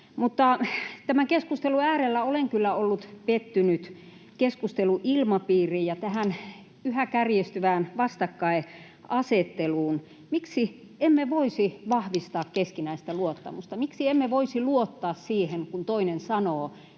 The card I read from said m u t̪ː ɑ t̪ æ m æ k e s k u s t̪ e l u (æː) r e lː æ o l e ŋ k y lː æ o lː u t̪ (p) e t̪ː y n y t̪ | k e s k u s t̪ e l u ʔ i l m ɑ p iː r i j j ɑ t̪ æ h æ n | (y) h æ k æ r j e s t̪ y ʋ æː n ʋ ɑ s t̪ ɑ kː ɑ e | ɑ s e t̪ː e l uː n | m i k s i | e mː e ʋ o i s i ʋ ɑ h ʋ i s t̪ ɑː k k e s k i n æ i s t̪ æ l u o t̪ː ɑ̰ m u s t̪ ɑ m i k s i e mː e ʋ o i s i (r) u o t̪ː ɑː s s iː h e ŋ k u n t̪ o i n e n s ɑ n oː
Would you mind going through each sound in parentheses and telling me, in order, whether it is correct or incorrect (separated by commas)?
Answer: correct, correct, correct, incorrect